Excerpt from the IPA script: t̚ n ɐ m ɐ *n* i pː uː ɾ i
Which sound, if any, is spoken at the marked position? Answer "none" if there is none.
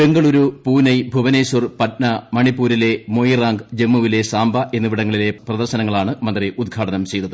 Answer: ɳ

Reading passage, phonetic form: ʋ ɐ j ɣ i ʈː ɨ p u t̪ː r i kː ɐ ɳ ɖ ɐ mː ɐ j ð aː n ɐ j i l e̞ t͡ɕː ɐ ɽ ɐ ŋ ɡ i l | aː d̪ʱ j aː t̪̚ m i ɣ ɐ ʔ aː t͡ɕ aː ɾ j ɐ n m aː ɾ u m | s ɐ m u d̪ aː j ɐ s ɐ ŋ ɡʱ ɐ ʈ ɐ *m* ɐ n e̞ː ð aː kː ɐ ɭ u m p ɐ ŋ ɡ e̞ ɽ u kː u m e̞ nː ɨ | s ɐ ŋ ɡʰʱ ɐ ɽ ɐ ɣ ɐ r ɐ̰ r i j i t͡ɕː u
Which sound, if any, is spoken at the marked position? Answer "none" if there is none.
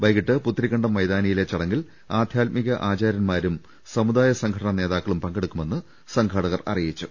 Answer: ɳ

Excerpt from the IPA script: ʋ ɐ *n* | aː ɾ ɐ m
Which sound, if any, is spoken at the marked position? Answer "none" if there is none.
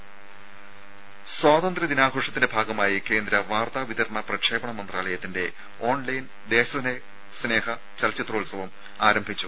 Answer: m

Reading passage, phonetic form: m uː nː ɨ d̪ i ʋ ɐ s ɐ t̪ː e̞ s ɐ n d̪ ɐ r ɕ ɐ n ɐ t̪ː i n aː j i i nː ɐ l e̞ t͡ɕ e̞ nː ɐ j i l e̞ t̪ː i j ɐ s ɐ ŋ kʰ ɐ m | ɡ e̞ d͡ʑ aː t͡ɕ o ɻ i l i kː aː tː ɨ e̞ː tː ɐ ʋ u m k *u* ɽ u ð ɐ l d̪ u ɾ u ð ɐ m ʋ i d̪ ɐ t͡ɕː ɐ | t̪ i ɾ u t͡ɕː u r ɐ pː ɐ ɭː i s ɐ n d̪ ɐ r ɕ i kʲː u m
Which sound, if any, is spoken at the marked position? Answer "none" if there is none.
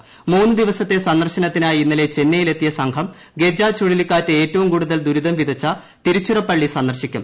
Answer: uː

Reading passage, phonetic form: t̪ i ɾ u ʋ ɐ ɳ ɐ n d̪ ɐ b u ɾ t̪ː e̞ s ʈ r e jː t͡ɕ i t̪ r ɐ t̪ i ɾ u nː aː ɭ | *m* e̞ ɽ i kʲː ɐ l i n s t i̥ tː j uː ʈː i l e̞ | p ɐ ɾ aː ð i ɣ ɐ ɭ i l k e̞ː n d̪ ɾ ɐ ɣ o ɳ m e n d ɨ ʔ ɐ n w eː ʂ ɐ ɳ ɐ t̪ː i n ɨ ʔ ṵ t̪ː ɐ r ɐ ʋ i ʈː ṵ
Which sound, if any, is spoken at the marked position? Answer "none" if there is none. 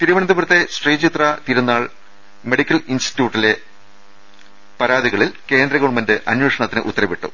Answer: m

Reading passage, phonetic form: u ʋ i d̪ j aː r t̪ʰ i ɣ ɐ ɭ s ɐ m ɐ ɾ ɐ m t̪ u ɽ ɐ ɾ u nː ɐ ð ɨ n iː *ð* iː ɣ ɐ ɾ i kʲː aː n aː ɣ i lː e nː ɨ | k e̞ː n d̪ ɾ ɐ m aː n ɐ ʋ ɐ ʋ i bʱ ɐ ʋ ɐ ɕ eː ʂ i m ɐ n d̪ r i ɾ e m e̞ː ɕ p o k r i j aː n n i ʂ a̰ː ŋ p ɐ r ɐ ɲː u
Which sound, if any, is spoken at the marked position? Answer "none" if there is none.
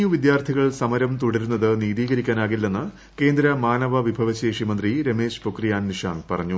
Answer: ð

